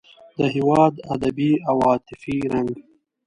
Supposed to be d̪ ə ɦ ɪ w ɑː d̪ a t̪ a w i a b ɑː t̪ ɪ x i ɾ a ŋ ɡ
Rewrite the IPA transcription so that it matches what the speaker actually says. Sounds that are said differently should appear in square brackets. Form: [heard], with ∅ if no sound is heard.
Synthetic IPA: d̪ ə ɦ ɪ w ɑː d̪ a [d̪] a [b] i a [w] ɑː t̪ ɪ [f] i ɾ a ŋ ɡ